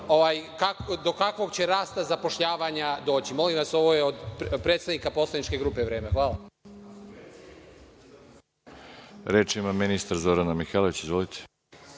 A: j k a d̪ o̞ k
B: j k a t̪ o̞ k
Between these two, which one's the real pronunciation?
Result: A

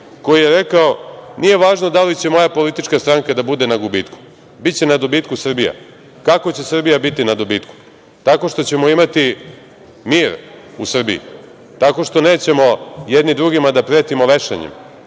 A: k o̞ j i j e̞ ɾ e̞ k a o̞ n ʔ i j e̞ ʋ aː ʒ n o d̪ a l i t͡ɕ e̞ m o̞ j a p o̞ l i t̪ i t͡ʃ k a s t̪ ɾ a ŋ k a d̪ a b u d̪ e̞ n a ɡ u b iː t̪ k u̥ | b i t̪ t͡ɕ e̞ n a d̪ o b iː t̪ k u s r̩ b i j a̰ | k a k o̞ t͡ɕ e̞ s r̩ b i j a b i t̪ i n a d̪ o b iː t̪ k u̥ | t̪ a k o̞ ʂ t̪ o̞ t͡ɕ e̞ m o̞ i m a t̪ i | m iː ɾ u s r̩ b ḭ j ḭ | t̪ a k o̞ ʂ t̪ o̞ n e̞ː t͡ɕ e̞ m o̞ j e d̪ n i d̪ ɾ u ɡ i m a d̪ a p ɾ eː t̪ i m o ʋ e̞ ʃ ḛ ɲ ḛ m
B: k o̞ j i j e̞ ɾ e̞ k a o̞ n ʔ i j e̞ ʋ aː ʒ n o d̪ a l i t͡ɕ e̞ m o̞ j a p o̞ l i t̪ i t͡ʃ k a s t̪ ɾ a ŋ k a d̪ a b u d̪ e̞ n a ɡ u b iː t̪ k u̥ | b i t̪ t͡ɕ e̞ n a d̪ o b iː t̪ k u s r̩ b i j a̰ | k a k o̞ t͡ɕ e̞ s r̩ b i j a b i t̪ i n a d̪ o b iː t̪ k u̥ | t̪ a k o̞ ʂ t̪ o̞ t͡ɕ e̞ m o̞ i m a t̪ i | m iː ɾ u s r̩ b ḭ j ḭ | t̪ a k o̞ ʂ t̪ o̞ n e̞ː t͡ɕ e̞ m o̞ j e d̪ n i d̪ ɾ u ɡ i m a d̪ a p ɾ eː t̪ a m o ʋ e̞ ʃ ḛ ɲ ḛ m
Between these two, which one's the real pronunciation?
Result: A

